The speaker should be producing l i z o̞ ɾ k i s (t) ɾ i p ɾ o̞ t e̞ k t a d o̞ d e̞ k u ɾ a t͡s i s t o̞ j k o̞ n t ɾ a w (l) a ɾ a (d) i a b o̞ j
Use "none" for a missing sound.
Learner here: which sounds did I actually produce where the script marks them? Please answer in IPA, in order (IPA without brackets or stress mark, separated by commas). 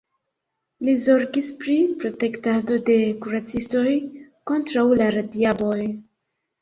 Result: p, l, d